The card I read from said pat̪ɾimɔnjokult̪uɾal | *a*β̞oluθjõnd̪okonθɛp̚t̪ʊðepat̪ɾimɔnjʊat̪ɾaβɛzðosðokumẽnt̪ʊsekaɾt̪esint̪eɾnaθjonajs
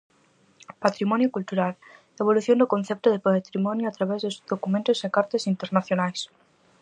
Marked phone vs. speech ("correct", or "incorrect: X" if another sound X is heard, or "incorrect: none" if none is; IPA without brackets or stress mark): incorrect: e